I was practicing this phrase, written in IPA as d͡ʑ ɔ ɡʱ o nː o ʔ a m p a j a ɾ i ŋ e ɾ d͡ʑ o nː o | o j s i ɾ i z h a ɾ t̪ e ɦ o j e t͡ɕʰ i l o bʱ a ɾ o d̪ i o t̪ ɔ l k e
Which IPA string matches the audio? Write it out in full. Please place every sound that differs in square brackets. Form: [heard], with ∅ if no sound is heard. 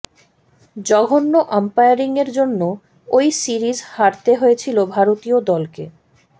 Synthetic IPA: d͡ʑ ɔ ɡʱ o nː o ʔ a m p a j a ɾ i ŋ e ɾ d͡ʑ o nː o | o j s i ɾ i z h a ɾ t̪ e ɦ o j e t͡ɕʰ i l o bʱ a ɾ o [t̪] i o [d̪] ɔ l k e